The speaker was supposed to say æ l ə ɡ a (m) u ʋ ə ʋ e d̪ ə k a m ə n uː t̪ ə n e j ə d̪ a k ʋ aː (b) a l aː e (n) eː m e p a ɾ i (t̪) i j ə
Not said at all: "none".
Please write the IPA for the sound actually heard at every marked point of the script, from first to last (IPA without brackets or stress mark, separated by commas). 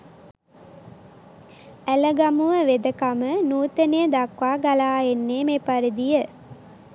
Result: m, ɡ, nː, d̪